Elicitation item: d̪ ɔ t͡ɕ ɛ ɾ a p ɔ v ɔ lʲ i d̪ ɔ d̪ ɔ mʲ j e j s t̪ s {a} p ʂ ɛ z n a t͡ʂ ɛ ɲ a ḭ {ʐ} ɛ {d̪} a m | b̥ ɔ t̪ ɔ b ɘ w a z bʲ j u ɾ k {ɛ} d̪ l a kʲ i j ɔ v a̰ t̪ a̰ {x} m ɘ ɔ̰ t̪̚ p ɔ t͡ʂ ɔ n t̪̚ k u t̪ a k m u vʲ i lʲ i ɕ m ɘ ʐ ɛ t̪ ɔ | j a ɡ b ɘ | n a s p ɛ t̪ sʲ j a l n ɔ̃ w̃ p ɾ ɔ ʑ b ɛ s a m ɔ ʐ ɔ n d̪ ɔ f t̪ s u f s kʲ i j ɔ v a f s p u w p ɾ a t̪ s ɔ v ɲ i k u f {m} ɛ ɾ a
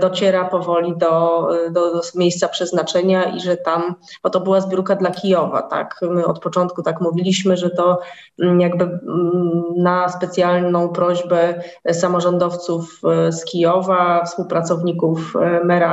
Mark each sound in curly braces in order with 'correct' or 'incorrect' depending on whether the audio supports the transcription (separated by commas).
correct, correct, incorrect, incorrect, incorrect, correct